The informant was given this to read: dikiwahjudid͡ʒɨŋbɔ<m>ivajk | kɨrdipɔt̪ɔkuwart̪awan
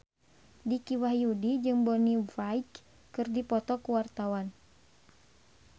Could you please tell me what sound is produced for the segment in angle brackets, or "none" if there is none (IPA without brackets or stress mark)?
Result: n